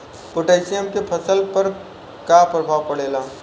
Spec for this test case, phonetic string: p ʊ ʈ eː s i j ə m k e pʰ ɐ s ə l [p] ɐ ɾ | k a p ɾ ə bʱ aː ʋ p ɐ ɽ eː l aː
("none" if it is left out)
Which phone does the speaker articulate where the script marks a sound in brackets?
p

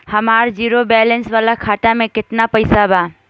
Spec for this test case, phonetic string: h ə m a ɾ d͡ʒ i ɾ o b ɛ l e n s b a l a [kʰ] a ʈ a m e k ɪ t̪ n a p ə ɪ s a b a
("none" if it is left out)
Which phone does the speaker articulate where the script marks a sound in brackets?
kʰ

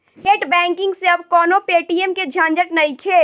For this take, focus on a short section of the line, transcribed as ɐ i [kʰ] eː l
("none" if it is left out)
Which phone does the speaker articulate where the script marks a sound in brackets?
kʰ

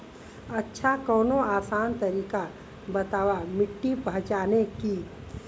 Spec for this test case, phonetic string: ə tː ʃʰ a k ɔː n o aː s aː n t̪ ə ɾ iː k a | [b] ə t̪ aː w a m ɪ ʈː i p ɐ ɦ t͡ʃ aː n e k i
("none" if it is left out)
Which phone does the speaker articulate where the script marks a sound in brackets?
b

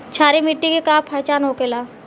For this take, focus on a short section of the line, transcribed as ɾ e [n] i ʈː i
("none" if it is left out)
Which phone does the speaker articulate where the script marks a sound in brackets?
m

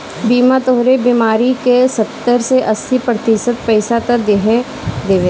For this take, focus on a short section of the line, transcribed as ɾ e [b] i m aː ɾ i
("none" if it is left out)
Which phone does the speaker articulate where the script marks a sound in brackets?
b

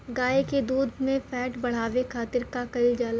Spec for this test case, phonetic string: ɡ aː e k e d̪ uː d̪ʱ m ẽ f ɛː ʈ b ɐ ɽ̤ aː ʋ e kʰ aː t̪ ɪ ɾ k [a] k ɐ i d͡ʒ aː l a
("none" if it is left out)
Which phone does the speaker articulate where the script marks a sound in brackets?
a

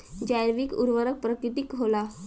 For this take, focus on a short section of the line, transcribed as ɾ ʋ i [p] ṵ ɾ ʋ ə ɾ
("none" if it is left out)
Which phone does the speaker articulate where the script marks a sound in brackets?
k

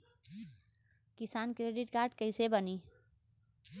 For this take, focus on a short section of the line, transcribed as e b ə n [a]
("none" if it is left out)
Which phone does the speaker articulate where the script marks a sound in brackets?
i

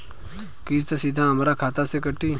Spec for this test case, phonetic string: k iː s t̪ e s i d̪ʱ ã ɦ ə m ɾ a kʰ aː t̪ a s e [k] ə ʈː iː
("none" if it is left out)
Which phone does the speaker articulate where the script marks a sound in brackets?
k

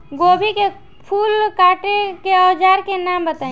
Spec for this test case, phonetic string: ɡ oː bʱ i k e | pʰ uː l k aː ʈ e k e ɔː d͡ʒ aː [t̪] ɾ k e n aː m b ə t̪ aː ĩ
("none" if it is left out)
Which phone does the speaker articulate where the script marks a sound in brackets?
none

